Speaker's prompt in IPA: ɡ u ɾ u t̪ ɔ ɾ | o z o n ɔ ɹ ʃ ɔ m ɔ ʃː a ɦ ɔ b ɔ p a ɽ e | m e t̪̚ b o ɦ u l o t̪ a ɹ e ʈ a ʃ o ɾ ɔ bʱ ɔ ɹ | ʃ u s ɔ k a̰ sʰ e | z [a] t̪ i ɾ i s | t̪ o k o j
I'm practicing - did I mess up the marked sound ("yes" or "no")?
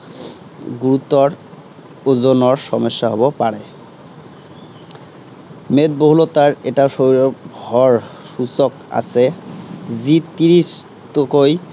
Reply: yes